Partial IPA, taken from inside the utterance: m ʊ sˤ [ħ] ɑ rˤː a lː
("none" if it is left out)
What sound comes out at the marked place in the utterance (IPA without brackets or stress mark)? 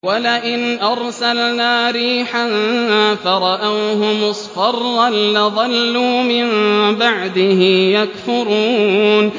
f